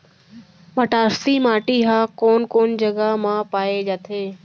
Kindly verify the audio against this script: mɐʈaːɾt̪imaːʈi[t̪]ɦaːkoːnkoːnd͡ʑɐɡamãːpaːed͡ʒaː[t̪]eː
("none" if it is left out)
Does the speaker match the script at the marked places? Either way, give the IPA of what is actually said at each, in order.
none, t̪ʰ

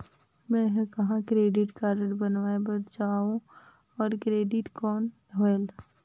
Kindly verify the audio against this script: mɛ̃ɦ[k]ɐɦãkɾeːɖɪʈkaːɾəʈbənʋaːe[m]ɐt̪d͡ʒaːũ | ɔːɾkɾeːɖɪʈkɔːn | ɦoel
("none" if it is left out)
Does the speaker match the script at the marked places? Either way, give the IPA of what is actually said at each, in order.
k, b

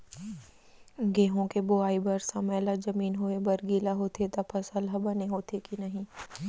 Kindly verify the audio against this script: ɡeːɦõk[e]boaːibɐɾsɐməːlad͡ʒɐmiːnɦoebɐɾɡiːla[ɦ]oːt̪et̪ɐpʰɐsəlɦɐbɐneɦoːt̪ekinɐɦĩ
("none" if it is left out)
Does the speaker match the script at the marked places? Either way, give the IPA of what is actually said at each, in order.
e, ɦ

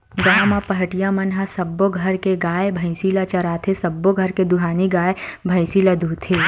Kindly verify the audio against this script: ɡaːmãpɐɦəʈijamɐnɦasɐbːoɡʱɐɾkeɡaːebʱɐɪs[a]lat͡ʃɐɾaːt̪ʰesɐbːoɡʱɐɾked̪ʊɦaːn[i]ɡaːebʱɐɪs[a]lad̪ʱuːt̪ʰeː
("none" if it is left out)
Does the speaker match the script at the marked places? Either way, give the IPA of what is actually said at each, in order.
i, i, i

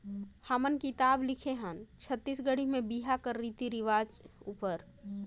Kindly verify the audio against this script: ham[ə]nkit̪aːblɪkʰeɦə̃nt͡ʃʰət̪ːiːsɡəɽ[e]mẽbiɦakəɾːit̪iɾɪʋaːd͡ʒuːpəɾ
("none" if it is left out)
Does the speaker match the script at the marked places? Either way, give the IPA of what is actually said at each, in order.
ə, i

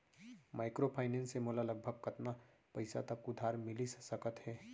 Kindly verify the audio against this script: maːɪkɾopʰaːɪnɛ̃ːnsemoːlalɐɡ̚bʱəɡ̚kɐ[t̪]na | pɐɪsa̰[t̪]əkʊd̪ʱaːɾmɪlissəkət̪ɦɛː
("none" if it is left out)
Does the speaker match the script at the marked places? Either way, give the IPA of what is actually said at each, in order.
t̪, t̪

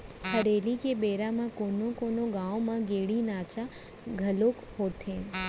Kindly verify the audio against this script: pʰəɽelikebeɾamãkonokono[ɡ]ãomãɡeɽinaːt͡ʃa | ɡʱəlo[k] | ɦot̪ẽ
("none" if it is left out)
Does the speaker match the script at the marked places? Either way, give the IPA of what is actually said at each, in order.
ɡ, k

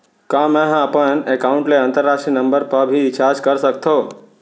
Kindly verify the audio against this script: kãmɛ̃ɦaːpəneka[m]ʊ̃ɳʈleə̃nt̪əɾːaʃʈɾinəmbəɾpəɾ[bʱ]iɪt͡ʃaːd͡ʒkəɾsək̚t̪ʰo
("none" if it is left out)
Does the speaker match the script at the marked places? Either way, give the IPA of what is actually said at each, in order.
none, bʱ

